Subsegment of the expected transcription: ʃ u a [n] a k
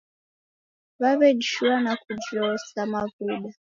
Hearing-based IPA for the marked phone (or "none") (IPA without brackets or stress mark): n